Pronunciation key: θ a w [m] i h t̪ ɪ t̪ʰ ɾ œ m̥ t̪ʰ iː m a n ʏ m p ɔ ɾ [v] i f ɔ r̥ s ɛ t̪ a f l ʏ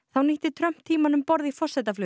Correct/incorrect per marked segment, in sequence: incorrect, incorrect

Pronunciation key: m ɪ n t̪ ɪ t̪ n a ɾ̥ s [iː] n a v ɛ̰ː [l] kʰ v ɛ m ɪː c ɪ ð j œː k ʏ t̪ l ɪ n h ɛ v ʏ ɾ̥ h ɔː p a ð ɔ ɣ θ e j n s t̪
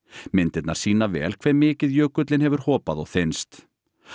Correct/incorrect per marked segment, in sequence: correct, correct

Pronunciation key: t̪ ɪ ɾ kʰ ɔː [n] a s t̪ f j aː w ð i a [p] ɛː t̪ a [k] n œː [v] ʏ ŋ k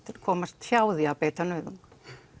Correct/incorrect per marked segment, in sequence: incorrect, correct, incorrect, incorrect

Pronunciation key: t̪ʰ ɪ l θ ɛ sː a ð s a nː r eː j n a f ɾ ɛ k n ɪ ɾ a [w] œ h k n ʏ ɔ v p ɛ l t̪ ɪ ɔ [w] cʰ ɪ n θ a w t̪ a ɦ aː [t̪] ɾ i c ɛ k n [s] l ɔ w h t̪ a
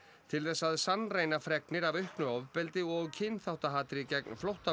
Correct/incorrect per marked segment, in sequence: incorrect, incorrect, correct, incorrect

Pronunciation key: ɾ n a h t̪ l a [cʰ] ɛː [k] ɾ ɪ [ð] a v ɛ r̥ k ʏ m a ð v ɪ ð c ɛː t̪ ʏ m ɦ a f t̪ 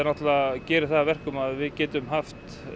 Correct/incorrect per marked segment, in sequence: incorrect, incorrect, incorrect

